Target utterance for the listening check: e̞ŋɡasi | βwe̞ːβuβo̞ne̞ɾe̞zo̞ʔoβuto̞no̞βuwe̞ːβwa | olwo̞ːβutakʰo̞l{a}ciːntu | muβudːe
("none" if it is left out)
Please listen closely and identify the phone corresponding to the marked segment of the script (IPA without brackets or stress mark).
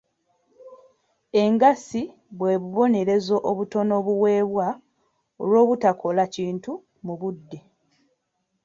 a